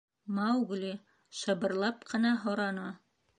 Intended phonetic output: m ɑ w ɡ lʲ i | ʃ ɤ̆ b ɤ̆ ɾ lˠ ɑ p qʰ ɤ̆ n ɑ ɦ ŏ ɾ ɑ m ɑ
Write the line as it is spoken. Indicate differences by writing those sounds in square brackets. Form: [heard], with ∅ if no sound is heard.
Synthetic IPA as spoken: m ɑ w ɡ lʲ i | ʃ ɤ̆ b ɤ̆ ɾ lˠ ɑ p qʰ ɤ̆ n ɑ ɦ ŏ ɾ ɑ [n] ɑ